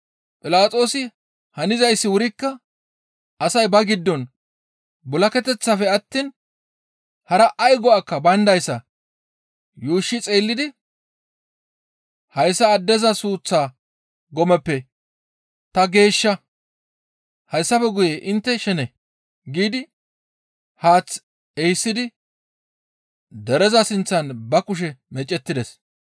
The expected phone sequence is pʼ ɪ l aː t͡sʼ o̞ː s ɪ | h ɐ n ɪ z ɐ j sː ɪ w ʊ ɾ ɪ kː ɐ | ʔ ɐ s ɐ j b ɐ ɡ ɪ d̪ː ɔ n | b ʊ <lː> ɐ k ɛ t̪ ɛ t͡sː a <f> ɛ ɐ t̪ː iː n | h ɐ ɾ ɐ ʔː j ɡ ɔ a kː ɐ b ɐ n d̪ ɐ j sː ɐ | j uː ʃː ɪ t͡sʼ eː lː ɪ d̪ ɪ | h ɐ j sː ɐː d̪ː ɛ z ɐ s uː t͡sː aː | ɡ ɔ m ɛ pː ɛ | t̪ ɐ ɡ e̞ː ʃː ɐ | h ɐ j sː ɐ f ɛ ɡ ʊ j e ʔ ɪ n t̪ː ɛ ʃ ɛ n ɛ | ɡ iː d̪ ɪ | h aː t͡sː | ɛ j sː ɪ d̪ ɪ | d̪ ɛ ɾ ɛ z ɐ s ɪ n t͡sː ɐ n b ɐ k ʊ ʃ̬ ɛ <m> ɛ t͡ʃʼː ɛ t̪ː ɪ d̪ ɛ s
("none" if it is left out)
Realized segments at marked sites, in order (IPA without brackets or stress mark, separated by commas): l, f, m